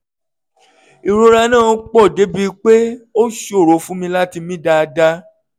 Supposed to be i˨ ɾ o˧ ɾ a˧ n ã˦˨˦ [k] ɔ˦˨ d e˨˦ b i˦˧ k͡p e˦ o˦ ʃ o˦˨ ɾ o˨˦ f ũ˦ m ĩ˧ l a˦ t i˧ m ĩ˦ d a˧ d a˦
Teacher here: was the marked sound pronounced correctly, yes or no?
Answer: no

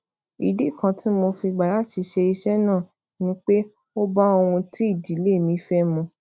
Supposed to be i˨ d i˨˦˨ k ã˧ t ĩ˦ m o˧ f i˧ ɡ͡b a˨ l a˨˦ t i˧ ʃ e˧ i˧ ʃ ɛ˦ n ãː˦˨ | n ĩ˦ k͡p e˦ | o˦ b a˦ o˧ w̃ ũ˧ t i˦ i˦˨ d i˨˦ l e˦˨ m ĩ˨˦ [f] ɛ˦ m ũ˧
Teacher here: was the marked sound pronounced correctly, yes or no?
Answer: yes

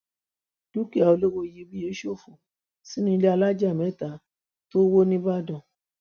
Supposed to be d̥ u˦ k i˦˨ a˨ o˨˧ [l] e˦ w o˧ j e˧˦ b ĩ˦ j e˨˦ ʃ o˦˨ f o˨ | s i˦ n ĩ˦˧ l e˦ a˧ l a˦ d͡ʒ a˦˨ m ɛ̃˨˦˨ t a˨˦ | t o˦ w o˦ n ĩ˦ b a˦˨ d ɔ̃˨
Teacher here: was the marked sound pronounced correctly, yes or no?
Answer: yes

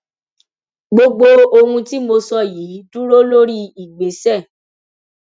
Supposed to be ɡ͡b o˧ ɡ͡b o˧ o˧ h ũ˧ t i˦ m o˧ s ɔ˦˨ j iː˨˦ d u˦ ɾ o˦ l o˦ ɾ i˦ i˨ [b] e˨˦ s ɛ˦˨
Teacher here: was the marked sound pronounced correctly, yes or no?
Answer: no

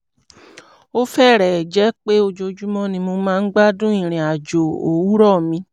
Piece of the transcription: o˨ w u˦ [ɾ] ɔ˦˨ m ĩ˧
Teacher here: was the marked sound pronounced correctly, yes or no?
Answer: yes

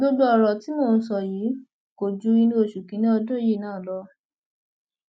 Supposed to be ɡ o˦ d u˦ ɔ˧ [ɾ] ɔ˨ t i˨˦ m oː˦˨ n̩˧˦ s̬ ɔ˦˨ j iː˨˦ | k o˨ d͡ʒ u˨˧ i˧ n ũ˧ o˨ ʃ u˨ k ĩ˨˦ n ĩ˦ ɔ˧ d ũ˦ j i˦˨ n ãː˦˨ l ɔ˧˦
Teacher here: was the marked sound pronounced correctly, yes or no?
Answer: yes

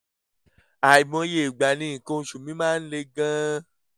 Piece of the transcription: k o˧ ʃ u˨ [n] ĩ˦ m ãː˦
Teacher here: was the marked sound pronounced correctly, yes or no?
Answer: no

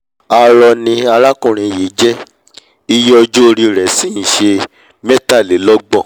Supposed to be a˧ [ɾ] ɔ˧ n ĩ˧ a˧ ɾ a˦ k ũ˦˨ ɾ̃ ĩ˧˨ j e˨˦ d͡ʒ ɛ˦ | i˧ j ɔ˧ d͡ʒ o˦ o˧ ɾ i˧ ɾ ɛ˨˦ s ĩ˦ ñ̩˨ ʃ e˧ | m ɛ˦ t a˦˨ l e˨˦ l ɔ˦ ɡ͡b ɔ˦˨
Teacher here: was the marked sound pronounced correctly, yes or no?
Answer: yes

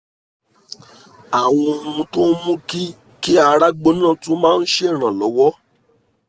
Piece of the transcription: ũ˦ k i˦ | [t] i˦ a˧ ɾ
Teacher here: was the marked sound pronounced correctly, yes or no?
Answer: no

